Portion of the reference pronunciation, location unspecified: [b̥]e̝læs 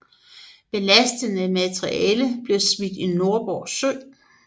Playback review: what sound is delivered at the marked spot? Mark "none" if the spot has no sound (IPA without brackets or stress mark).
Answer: b̥